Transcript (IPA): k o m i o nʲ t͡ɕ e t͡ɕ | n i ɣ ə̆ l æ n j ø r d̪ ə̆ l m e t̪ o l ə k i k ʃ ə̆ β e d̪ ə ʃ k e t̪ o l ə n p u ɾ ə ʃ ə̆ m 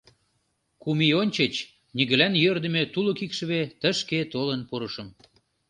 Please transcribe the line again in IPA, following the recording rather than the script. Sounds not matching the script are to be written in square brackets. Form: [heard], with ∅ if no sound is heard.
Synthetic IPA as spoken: k [u] m i o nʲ t͡ɕ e t͡ɕ | n i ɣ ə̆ l æ n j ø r d̪ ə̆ [∅] m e t̪ [u] l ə k i k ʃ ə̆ β e [t̪] ə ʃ k e t̪ o l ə n p u ɾ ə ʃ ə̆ m